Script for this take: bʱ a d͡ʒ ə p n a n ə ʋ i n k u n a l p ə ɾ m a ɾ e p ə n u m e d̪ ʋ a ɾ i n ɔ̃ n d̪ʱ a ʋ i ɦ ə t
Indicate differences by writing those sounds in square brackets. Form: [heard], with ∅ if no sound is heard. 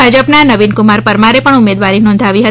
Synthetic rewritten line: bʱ a d͡ʒ ə p n a n ə ʋ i n k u [m] a [ɾ] p ə ɾ m a ɾ e p ə [ɳ] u m e d̪ ʋ a ɾ i n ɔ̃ n d̪ʱ a ʋ i ɦ ə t